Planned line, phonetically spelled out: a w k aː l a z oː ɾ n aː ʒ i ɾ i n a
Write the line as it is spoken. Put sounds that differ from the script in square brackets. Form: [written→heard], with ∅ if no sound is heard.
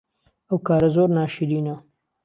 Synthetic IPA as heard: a w k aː [l→ɾ] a z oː ɾ n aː [ʒ→ʃ] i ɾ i n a